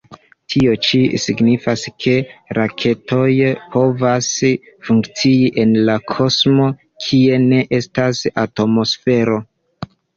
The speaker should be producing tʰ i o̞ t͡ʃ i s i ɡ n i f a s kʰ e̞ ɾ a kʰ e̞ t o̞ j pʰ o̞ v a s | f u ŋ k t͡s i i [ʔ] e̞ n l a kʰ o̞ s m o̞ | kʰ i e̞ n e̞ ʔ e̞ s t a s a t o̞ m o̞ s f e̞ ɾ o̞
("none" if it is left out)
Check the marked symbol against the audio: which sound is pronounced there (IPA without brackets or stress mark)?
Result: ʔ